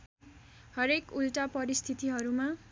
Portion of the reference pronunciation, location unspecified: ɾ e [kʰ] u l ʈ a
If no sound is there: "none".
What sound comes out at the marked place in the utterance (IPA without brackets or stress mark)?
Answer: k